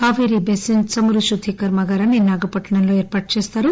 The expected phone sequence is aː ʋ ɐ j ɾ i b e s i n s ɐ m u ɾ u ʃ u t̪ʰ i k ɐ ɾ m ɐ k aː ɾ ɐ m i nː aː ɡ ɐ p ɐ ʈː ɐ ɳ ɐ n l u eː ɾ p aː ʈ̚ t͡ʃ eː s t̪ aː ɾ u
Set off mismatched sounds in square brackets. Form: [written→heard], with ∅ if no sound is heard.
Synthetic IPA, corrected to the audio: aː ʋ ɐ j ɾ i b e s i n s ɐ m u ɾ u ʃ u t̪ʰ i k ɐ ɾ m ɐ [k→ɡ] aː ɾ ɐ [m→n] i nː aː ɡ ɐ p ɐ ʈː ɐ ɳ ɐ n l [u→o] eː ɾ p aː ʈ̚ t͡ʃ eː s t̪ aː ɾ u